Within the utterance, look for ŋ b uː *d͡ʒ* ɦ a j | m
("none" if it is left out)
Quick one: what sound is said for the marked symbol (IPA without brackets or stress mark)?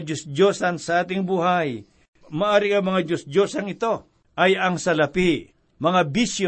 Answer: none